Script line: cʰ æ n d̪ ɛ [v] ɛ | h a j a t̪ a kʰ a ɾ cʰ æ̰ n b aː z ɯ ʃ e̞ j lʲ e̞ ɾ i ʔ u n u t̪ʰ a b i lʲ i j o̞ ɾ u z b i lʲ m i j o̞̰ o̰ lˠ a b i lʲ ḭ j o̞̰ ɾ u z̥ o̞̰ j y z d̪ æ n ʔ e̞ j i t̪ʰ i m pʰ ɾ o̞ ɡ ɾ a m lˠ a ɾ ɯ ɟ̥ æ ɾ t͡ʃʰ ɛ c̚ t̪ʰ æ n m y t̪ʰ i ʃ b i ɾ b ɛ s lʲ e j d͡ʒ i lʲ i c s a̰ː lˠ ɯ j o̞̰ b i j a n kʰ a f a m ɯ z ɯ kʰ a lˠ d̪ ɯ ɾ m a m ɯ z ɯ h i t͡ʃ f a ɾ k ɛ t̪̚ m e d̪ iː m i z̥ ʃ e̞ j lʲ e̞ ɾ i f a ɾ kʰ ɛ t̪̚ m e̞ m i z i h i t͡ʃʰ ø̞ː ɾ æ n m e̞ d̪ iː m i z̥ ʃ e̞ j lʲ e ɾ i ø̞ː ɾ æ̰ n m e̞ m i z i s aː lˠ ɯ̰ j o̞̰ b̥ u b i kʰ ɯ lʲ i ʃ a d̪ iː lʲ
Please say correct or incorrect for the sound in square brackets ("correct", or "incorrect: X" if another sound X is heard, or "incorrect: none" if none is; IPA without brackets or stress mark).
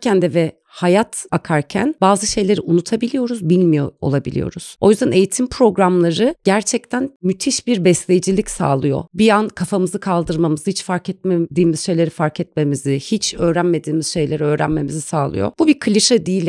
correct